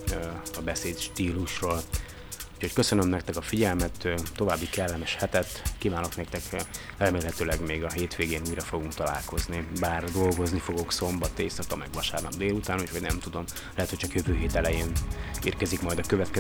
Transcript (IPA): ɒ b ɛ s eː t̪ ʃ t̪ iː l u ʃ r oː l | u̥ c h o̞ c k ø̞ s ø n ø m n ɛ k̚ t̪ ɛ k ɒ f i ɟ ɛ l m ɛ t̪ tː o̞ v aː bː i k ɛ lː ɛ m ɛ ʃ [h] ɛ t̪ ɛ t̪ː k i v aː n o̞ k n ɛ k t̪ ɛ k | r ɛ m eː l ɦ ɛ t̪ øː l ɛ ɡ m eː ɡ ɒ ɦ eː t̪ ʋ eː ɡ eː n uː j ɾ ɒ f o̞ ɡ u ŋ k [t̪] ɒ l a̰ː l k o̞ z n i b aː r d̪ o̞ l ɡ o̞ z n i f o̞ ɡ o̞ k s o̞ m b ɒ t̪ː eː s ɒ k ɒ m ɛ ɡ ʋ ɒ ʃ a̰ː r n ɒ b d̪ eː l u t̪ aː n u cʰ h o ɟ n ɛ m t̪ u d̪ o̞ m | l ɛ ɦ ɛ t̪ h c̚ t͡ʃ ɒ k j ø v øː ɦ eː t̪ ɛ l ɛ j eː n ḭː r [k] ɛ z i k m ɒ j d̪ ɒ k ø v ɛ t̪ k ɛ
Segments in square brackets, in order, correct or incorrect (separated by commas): correct, correct, correct